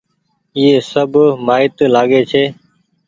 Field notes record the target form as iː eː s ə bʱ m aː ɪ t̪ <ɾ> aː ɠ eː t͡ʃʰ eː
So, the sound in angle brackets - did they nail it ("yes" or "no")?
no